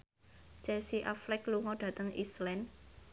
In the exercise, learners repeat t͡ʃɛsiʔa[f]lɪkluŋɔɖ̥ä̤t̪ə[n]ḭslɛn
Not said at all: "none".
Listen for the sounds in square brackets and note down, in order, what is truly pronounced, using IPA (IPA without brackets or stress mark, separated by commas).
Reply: f, ŋ